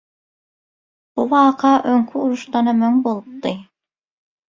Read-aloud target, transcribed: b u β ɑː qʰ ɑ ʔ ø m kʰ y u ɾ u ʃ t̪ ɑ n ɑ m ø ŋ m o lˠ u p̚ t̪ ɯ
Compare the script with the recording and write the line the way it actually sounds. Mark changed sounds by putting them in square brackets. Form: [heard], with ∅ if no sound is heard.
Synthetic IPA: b u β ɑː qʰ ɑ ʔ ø [ŋ] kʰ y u ɾ u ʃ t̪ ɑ n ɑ m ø ŋ [b] o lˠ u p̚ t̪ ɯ